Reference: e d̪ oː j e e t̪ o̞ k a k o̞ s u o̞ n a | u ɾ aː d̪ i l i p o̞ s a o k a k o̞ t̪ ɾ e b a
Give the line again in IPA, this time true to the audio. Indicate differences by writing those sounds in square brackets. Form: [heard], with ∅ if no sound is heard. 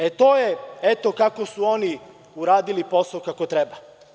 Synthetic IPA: e [t̪] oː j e e t̪ o̞ k a k o̞ s u o̞ n [i] | u ɾ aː d̪ i l i p o̞ s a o k a k o̞ t̪ ɾ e b a